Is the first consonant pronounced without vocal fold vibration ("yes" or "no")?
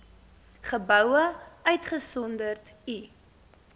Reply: yes